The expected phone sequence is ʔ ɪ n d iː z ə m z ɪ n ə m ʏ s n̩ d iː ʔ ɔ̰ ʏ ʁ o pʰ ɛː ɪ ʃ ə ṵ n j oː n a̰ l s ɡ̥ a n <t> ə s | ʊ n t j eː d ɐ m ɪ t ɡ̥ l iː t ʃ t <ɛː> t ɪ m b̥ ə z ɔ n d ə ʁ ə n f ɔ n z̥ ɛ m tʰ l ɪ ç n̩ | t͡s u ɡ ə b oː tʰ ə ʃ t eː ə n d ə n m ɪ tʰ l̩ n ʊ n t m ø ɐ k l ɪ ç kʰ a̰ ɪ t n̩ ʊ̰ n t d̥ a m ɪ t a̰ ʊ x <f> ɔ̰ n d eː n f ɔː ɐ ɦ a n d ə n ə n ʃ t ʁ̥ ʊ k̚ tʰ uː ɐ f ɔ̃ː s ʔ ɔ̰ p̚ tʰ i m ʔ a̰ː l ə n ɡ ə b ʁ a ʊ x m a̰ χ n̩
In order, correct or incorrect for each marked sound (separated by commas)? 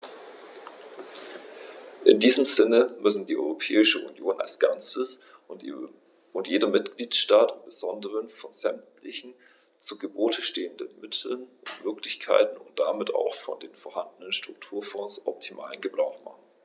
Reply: incorrect, incorrect, correct